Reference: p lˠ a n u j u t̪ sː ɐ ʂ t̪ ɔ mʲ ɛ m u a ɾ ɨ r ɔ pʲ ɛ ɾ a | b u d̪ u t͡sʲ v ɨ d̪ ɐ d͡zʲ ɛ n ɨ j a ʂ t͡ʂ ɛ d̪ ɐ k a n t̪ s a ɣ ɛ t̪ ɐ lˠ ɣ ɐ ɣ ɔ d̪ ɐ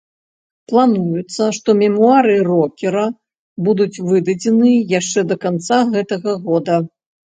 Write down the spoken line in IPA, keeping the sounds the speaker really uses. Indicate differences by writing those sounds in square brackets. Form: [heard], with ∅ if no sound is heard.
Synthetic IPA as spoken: p lˠ a n u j u t̪ sː ɐ ʂ t̪ ɔ mʲ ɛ m u a ɾ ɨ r ɔ [kʲ] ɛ ɾ [ɐ] | b u d̪ u t͡sʲ v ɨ d̪ ɐ d͡zʲ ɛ n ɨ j a ʂ t͡ʂ ɛ d̪ ɐ k a n t̪ s a ɣ ɛ t̪ ɐ [∅] ɣ ɐ ɣ ɔ d̪ ɐ